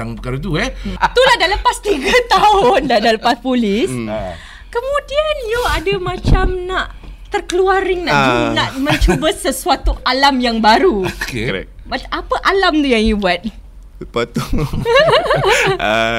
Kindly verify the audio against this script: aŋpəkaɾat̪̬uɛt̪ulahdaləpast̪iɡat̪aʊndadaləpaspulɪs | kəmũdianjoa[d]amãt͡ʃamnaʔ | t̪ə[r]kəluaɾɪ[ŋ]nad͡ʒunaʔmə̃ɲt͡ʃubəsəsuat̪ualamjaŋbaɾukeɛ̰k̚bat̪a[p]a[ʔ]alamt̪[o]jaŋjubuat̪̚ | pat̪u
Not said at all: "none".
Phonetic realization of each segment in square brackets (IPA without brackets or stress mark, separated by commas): d, r, ŋ, p, ʔ, u